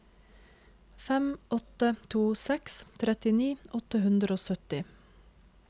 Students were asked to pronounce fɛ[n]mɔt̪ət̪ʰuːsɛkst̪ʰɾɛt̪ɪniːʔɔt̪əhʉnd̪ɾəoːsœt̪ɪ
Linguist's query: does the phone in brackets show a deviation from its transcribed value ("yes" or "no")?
yes